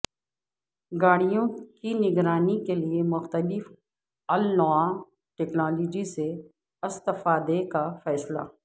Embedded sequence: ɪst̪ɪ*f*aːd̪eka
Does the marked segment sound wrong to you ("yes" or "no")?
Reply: no